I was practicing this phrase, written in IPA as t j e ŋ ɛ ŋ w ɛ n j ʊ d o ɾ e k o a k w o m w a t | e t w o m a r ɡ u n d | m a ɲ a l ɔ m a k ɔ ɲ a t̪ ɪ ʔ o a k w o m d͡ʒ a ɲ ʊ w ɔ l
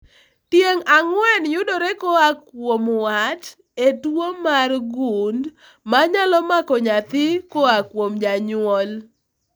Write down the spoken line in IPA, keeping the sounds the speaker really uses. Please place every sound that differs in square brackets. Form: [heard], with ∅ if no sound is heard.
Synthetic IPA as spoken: t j e ŋ [a] ŋ w ɛ n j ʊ d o ɾ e k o a k w o m w a t | e t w o m a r ɡ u n d | m a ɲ a l ɔ m a k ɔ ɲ a t̪ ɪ [k] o a k w o m d͡ʒ a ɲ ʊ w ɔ l